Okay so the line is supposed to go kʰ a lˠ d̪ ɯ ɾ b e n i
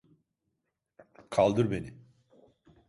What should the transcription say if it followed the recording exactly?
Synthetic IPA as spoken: kʰ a lˠ d̪ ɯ ɾ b e n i